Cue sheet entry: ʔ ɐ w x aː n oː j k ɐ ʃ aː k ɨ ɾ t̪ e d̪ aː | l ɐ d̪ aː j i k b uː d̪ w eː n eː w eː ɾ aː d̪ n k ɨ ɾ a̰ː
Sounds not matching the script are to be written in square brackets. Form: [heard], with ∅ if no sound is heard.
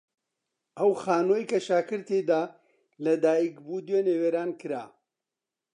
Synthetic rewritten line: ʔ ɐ w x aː n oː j k ɐ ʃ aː k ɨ ɾ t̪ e d̪ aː | l ɐ d̪ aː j i k b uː d̪ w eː n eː w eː ɾ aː [∅] n k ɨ ɾ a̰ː